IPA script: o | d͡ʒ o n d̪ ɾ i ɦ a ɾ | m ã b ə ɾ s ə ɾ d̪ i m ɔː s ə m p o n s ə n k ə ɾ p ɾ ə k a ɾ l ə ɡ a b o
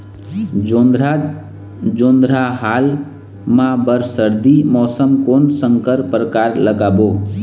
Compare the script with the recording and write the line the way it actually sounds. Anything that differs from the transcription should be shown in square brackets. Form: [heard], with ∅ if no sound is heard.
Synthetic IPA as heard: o | d͡ʒ o n d̪ ɾ [a] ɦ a [l] | m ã b ə ɾ s ə ɾ d̪ i m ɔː s ə m [k] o n s ə [ŋ] k ə ɾ p ɾ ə k a ɾ l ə ɡ a b o